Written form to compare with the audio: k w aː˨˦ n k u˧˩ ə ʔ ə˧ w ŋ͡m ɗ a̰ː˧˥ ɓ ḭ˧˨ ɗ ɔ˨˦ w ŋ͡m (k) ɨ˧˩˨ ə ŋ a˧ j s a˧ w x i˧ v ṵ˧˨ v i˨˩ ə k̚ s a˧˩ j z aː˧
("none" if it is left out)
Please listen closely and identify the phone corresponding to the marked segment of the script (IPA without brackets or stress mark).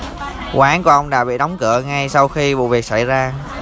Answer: k